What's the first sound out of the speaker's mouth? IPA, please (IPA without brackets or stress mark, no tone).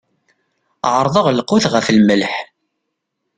ʕ